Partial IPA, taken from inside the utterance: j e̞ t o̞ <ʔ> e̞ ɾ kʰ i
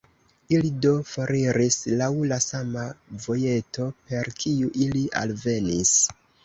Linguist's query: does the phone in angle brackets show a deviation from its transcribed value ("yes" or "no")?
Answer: yes